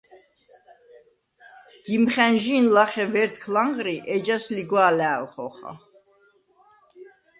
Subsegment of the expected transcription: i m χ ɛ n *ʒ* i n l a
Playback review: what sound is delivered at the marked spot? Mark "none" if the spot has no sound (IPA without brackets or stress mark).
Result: ʒ